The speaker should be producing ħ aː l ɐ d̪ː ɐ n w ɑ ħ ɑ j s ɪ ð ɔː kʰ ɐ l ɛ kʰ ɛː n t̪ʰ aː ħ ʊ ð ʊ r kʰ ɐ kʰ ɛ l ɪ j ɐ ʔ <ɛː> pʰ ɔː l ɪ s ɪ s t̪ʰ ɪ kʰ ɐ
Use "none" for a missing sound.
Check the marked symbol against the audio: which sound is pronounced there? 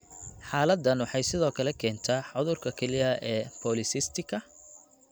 ɛː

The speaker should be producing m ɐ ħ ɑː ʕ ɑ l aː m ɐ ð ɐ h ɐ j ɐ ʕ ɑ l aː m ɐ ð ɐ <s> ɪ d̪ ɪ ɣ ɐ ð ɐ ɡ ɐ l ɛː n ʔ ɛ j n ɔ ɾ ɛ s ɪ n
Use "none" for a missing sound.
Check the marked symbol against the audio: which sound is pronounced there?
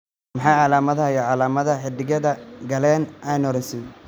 ħ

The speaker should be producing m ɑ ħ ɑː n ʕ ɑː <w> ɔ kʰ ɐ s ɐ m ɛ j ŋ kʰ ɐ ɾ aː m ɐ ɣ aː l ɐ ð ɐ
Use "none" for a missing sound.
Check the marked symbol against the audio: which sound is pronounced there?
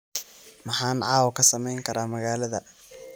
w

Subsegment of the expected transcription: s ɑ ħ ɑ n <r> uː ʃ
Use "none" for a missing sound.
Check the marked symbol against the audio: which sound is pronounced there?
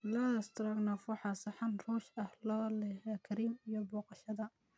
r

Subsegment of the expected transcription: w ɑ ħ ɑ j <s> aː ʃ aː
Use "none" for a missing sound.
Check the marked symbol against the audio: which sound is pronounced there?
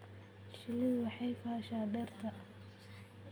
f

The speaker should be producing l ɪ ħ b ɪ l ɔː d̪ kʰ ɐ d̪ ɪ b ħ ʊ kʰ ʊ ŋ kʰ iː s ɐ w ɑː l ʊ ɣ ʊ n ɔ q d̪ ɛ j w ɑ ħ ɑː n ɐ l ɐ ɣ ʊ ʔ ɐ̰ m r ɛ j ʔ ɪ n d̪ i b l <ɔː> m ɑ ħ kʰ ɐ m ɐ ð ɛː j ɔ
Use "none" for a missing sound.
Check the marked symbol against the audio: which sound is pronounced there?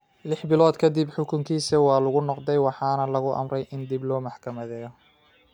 ɔː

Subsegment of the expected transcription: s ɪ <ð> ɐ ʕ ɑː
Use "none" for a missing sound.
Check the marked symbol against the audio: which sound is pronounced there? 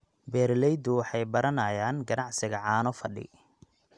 ɣ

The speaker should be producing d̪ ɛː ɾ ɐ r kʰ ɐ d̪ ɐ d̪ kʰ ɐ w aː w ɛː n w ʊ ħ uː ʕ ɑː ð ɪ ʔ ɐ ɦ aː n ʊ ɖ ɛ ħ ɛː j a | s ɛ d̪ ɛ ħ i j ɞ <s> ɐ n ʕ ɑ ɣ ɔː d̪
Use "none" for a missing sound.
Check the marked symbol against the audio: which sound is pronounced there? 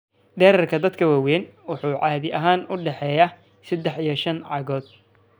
ʃ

